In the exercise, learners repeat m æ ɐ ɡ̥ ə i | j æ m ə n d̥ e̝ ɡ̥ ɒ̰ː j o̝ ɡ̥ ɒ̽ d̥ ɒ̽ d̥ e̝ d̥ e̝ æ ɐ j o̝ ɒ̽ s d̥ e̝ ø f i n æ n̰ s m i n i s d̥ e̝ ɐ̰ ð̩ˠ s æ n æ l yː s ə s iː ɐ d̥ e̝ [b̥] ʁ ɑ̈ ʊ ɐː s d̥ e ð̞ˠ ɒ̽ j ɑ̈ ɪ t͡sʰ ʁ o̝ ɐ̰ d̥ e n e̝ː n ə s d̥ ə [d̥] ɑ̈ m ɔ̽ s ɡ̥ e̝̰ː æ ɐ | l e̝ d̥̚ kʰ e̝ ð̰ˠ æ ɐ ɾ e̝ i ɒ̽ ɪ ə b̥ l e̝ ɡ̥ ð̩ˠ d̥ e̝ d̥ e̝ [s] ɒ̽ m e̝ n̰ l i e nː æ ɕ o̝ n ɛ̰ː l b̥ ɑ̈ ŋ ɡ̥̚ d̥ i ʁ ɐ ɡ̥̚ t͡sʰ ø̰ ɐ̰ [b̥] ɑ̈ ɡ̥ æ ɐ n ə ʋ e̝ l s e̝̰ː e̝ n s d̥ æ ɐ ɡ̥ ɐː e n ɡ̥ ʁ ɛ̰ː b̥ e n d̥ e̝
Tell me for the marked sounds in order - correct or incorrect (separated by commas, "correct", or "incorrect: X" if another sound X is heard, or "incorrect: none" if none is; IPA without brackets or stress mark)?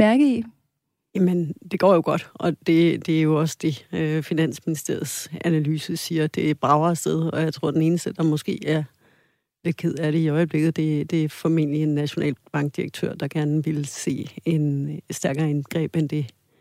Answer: correct, correct, incorrect: f, incorrect: d̥